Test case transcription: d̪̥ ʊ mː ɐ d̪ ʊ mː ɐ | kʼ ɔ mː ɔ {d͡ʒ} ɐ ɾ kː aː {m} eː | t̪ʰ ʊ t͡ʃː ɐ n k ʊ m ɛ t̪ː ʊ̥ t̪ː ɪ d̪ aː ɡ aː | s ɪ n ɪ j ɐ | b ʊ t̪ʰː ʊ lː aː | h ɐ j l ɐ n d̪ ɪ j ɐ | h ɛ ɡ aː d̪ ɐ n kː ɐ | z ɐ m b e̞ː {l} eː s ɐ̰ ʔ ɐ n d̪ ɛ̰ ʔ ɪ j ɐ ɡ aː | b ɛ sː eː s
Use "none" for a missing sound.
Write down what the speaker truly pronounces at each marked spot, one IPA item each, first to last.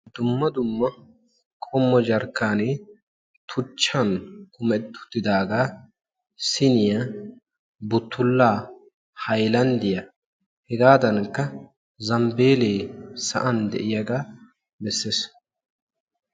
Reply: d͡ʒ, n, l

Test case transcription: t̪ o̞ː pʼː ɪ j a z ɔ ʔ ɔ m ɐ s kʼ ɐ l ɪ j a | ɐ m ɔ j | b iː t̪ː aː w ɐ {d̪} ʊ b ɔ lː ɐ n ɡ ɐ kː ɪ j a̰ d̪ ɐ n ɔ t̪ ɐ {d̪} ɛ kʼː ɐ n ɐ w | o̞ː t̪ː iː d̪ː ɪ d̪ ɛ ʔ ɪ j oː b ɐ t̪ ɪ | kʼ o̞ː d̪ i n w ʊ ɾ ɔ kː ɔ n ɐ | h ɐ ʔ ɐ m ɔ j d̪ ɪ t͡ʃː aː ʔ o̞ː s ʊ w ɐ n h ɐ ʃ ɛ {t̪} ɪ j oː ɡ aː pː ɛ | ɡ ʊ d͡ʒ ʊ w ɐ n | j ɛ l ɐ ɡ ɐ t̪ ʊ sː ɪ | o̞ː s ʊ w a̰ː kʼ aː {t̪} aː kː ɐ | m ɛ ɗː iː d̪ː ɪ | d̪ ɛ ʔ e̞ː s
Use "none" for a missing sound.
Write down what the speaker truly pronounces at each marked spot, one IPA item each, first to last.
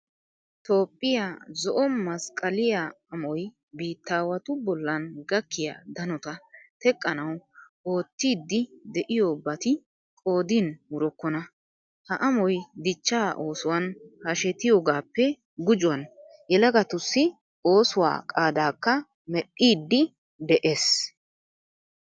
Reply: t̪, t̪, t̪, d̪

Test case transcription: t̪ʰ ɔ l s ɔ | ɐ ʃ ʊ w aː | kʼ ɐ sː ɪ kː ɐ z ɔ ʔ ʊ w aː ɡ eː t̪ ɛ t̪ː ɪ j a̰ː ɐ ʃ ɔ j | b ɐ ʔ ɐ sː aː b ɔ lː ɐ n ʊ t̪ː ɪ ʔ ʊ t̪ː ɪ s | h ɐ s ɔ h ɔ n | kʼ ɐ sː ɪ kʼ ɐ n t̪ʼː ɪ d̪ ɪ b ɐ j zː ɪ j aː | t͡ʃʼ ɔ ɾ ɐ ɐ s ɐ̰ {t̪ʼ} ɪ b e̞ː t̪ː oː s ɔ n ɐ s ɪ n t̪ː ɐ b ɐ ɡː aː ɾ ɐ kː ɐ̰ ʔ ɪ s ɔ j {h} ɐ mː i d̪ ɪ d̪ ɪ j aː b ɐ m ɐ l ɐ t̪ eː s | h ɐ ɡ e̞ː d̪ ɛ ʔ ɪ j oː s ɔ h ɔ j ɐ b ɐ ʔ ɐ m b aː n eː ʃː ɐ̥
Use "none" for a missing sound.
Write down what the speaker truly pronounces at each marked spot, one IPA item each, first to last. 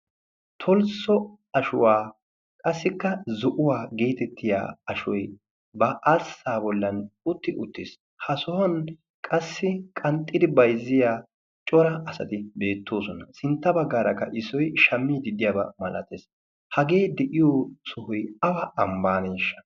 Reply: t̪, ʃ

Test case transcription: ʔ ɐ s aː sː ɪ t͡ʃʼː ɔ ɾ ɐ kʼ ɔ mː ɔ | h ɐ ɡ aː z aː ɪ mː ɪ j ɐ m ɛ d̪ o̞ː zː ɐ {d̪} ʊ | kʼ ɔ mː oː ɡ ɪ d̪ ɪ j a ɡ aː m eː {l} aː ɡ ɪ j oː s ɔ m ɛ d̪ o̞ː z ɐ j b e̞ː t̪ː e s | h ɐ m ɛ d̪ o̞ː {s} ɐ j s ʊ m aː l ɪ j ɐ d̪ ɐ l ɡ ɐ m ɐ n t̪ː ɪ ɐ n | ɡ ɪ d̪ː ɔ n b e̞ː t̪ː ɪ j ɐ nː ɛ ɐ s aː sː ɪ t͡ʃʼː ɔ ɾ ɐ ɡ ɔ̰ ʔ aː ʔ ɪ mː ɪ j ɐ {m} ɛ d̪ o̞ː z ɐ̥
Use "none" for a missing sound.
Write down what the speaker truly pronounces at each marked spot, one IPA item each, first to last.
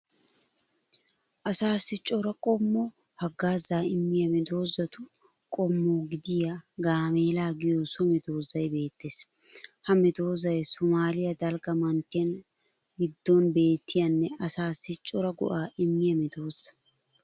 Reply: t̪, l, z, m

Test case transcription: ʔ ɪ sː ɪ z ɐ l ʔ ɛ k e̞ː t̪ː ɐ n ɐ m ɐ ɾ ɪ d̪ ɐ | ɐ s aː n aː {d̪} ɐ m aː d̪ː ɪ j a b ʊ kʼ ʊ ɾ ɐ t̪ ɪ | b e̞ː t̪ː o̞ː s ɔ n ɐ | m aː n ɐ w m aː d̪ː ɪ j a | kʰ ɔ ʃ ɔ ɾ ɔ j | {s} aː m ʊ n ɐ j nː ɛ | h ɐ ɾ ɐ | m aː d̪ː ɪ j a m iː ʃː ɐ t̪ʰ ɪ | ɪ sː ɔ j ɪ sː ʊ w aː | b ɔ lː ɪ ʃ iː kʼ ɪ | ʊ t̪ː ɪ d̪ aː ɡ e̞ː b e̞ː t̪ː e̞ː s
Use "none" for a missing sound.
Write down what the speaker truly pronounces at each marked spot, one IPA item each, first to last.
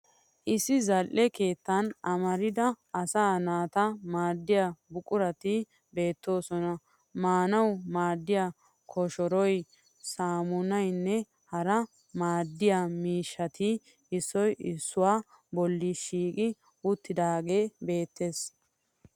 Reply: t̪, s

